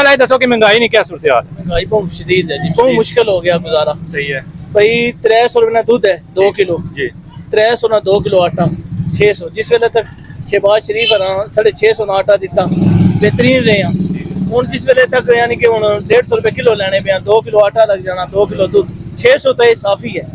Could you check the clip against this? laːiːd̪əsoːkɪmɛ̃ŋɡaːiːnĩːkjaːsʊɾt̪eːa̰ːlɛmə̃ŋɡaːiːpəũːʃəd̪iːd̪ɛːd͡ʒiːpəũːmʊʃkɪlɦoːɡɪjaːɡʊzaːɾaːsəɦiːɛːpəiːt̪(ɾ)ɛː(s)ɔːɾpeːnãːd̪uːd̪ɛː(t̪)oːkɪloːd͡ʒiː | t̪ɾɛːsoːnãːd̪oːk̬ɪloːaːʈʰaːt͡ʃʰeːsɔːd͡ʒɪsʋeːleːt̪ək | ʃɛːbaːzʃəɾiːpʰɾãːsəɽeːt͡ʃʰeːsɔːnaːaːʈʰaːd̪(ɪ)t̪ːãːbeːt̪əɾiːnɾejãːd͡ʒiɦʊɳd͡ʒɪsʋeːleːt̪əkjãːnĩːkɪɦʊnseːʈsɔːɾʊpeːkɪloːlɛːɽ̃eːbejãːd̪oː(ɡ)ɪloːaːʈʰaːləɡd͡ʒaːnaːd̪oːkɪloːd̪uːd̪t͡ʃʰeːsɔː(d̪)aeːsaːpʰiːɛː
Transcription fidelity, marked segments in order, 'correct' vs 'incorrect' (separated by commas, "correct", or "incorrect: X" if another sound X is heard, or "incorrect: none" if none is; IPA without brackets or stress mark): correct, correct, incorrect: d̪, correct, incorrect: k, incorrect: t̪